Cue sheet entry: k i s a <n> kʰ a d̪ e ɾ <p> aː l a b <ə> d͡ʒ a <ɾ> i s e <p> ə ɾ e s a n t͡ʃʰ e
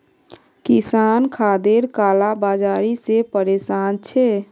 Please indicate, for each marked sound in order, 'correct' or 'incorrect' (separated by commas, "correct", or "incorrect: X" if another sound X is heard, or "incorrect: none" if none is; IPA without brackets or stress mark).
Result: correct, incorrect: k, incorrect: a, correct, correct